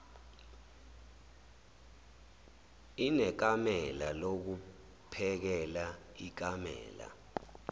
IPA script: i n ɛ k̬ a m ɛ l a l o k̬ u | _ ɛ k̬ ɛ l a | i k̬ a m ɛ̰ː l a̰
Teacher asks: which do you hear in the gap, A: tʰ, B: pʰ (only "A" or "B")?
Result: B